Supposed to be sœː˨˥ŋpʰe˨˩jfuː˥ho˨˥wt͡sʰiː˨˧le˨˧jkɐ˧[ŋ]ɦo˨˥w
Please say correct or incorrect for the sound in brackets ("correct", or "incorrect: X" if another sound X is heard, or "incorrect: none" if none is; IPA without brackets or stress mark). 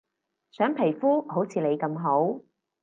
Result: incorrect: m